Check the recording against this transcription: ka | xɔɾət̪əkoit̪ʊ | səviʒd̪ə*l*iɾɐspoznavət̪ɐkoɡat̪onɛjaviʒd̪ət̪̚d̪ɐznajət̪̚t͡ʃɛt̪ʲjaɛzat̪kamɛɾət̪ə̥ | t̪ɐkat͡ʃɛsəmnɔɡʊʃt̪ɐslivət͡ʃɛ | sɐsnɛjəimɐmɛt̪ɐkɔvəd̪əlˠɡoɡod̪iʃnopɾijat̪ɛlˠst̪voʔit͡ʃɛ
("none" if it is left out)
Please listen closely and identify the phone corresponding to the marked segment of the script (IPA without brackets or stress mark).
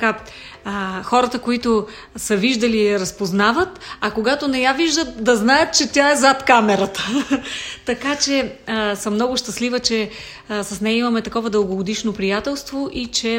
l